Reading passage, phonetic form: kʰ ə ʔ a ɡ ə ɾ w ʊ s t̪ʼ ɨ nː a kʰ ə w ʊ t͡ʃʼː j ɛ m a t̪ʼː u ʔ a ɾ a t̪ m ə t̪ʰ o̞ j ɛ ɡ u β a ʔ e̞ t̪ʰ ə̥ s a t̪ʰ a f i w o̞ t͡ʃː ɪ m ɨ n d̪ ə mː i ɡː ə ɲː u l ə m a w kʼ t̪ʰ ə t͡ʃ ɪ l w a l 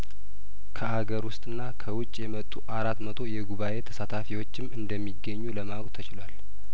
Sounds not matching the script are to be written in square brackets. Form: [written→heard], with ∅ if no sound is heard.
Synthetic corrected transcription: kʰ ə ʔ a ɡ ə ɾ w ʊ s t̪ʼ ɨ nː a kʰ ə w ʊ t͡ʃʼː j ɛ m [a→ə] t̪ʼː u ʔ a ɾ a t̪ m ə t̪ʰ o̞ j ɛ ɡ u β a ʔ e̞ t̪ʰ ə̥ s a t̪ʰ a f i w o̞ t͡ʃː ɪ m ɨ n d̪ ə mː i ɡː ə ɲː u l ə m a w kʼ t̪ʰ ə t͡ʃ ɪ l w a l